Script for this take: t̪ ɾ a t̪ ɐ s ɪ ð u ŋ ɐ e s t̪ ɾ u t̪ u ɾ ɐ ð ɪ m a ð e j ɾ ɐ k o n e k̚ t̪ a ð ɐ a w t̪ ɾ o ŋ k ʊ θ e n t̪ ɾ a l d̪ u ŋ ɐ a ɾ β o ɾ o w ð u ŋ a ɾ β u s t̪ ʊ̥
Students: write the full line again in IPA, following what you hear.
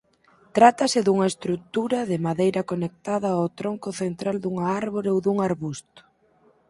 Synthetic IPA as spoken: t̪ ɾ a t̪ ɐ s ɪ ð u ŋ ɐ e s t̪ ɾ u t̪ u ɾ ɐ ð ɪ m a ð e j ɾ ɐ k o n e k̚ t̪ a ð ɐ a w t̪ ɾ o ŋ k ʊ θ e n t̪ ɾ a l d̪ u ŋ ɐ a ɾ β o ɾ o w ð u ŋ a ɾ β u s t̪ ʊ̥